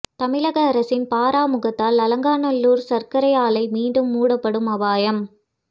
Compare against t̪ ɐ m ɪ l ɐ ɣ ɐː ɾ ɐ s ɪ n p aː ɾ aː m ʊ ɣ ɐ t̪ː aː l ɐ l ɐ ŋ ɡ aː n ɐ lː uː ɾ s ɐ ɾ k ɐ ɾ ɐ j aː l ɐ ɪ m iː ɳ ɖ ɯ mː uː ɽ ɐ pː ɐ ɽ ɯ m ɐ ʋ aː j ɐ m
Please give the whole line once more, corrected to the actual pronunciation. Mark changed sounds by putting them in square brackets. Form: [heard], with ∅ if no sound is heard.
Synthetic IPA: t̪ ɐ m ɪ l ɐ ɣ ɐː ɾ ɐ s ɪ n p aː ɾ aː m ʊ ɣ ɐ t̪ː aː l ɐ l ɐ ŋ ɡ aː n ɐ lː uː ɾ s ɐ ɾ k ɐ ɾ ɐ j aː l ɐ ɪ m iː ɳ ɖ ɯ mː uː ɽ ɐ pː ɐ ɽ ɯ m ɐ ʋ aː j ɐ m